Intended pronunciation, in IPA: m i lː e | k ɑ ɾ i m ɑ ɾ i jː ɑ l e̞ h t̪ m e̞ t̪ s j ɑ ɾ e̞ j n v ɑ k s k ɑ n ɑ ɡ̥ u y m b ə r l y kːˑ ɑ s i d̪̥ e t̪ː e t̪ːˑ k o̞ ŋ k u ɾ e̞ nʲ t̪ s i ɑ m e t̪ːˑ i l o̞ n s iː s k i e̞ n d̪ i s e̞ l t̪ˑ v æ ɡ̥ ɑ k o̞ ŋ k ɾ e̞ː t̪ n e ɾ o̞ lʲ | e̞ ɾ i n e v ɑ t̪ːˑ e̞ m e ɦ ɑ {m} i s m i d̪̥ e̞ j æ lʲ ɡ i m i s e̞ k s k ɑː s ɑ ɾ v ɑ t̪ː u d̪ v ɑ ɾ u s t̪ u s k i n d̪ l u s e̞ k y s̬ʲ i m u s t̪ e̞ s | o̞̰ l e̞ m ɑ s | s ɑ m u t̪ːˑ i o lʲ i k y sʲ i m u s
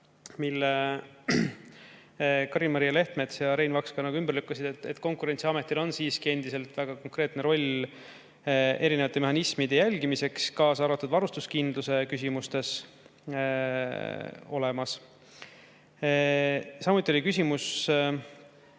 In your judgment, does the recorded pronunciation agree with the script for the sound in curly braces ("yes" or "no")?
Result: no